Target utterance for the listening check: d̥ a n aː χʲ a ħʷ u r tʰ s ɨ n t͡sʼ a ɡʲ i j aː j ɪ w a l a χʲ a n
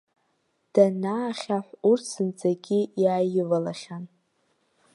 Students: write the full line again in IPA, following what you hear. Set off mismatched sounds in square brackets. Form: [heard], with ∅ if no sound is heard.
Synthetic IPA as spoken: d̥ a n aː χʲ a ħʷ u r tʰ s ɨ n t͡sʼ a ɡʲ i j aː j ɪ [v] a l a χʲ a n